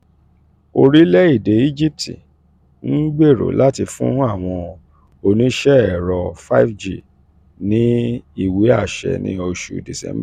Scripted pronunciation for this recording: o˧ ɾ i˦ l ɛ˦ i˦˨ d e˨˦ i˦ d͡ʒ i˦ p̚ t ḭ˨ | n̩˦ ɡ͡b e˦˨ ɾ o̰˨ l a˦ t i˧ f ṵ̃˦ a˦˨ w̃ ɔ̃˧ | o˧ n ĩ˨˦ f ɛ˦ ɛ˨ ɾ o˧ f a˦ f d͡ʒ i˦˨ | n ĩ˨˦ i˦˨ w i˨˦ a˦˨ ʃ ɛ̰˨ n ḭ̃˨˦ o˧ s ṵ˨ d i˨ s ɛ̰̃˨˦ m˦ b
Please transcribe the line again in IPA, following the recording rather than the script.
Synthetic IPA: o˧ ɾ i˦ l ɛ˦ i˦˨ d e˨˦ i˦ d͡ʒ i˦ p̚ t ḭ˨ | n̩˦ ɡ͡b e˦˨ ɾ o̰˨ l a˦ t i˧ f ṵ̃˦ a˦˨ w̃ ɔ̃˧ | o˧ n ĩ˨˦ ʃ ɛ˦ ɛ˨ ɾ ɔ˧ f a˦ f d͡ʒ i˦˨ | n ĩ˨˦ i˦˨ w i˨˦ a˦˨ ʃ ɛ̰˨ n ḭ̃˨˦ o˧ ʃ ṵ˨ d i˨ s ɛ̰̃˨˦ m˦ b